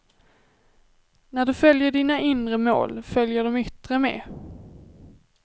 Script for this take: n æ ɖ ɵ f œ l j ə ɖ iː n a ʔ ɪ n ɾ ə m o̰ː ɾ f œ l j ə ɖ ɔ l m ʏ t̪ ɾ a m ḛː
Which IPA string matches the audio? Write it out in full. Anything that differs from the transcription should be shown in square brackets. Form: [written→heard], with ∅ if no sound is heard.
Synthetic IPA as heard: n æ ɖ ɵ f œ l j ə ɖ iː n a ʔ ɪ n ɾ ə m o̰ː [ɾ→l] f œ l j ə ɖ ɔ [l→∅] m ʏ t̪ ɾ [a→ə] m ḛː